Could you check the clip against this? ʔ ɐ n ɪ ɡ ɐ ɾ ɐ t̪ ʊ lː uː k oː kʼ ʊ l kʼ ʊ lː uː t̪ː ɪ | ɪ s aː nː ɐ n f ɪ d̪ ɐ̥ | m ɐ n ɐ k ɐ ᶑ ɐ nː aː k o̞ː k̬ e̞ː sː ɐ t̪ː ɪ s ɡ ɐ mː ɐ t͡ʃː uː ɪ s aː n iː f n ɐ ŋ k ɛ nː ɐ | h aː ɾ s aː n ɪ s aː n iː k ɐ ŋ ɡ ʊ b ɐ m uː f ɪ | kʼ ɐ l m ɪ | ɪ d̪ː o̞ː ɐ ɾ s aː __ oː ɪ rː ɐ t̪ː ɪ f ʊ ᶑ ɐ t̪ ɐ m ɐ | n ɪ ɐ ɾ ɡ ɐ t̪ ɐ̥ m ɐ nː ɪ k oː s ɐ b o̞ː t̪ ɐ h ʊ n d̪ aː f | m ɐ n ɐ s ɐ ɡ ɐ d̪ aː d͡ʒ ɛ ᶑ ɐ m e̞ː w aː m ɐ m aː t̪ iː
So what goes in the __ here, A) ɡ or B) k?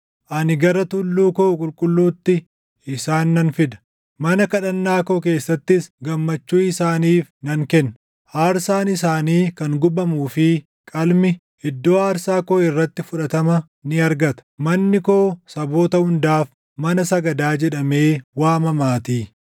B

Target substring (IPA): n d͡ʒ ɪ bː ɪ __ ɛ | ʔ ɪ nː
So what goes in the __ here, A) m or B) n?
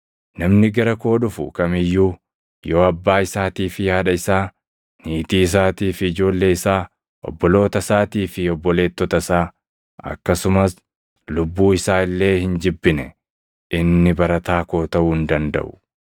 B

